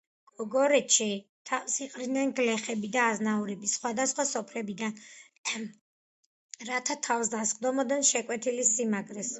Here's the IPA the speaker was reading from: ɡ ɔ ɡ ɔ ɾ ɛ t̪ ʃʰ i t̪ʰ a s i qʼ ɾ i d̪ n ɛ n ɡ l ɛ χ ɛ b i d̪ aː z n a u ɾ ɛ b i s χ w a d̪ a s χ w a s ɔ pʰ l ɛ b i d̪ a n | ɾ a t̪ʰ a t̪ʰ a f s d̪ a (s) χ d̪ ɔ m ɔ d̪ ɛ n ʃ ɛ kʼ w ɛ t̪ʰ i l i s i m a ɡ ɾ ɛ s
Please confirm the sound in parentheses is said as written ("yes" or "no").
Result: yes